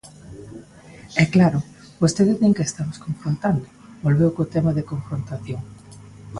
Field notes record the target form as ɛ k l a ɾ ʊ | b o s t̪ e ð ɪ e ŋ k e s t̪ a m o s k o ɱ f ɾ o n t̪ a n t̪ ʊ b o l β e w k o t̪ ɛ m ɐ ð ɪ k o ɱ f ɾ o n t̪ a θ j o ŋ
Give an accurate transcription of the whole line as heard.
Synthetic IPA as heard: ɛ k l a ɾ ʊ | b o s t̪ e ð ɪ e ŋ k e s t̪ a m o s k o ɱ f ɾ o n t̪ a n d̪ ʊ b o l β e w k o t̪ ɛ m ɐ ð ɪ k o ɱ f ɾ o n t̪ a θ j o ŋ

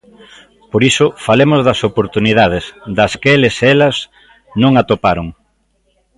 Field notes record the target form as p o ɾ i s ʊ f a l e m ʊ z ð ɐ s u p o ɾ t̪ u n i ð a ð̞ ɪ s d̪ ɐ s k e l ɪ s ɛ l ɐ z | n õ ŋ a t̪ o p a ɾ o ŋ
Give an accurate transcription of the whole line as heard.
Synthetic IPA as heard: p o ɾ i s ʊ f a l e m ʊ z ð ɐ s o p o ɾ t̪ u n i ð a ð̞ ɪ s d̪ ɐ s k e l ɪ s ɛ l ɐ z | n õ ŋ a t̪ o p a ɾ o ŋ

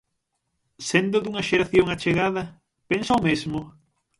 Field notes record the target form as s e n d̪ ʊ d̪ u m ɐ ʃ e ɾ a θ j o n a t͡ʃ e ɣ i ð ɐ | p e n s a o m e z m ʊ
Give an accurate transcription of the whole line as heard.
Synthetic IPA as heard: s e n d̪ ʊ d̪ u ŋ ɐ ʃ e ɾ a θ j o ŋ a t͡ʃ e ɣ a ð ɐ | p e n s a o m e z m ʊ

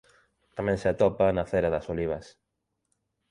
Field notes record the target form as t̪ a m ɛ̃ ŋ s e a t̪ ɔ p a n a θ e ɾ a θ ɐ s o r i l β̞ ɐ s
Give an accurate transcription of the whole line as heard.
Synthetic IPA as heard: t̪ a m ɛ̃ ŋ s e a t̪ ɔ p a n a θ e ɾ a ð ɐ s o l i β̞ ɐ s

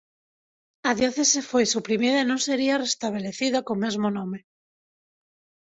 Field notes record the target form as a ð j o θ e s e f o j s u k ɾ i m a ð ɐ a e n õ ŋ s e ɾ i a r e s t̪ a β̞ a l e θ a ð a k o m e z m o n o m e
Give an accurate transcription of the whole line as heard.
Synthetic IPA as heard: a ð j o θ e s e f o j s u p ɾ i m i ð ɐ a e n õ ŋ s e ɾ i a r e s t̪ a β̞ e l e θ i ð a k o m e z m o n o m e

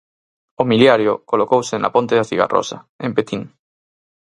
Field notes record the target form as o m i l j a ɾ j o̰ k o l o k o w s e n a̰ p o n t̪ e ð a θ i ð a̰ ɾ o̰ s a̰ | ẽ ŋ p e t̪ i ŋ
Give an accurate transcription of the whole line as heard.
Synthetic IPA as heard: o m i l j a ɾ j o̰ k o l o k o w s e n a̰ p o n t̪ e ð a θ i ɣ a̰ r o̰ s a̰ | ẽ m p e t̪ i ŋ

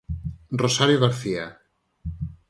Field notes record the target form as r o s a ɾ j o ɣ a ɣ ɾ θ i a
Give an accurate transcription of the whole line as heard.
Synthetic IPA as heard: r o s a ɾ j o ɣ a ɾ θ i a

